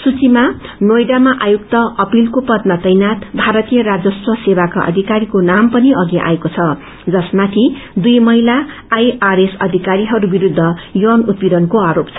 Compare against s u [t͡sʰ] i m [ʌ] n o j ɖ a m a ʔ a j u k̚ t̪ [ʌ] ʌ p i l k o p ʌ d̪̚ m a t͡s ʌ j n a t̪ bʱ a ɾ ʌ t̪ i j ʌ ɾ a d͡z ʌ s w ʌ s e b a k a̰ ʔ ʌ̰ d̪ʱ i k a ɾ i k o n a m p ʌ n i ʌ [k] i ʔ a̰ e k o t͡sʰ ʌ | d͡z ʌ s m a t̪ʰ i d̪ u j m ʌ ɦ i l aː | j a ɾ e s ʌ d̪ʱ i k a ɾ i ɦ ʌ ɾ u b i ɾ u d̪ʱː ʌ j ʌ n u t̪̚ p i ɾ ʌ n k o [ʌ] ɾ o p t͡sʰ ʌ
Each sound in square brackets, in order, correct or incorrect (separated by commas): incorrect, incorrect, correct, incorrect, incorrect